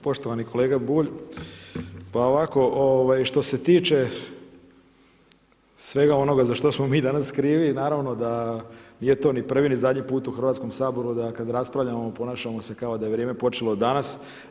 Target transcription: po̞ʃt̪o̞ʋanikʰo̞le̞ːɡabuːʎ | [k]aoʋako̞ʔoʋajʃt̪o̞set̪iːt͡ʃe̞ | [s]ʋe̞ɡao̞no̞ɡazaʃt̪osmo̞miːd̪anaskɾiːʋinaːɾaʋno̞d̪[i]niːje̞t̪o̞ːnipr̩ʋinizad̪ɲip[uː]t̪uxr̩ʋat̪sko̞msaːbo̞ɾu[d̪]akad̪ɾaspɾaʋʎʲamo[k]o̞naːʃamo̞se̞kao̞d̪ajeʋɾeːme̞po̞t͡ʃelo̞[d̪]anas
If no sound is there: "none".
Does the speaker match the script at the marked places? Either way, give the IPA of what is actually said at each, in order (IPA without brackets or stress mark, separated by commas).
p, s, a, uː, d̪, p, d̪